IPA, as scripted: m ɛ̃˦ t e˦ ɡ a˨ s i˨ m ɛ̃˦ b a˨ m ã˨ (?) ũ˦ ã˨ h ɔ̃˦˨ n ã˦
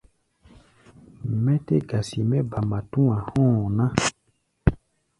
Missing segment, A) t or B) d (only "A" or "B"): A